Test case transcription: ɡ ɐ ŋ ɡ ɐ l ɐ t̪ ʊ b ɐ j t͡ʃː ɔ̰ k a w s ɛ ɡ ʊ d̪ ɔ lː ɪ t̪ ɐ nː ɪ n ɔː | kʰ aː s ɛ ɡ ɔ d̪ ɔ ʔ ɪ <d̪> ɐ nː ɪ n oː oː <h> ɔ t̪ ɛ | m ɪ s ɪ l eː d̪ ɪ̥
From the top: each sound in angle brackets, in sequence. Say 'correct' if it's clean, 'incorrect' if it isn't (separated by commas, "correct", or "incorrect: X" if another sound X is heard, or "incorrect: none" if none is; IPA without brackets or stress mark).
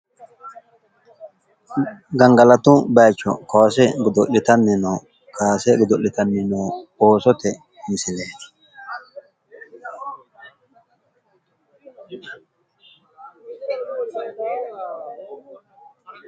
incorrect: t̪, incorrect: s